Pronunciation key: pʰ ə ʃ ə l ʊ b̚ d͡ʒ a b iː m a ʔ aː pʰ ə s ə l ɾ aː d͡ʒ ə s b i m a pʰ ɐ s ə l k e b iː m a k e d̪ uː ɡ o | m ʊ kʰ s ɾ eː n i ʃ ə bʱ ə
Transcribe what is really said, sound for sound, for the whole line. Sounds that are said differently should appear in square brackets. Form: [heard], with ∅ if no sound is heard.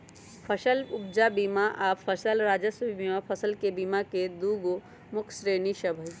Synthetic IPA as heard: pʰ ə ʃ ə l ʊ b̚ d͡ʒ a b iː m a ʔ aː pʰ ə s ə l ɾ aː d͡ʒ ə s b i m a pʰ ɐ s ə l k e b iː m a k e d̪ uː ɡ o | m ʊ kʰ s ɾ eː n i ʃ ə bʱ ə